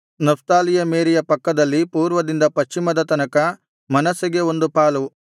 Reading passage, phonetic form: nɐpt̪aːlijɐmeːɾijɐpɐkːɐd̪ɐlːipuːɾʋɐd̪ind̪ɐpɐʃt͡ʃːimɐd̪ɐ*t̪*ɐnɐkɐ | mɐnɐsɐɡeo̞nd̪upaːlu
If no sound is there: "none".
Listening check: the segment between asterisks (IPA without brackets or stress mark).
t̪